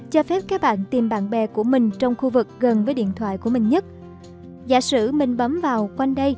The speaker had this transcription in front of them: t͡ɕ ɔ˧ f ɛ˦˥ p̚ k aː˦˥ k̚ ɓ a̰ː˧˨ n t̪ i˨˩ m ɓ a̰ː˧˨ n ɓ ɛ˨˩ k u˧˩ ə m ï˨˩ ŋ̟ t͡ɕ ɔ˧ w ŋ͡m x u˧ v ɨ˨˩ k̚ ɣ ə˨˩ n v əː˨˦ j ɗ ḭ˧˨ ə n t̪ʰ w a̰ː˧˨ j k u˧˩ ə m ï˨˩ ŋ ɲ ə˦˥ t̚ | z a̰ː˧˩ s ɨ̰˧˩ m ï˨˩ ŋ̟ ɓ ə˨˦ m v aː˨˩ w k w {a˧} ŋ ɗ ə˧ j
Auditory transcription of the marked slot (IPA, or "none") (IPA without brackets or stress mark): a˧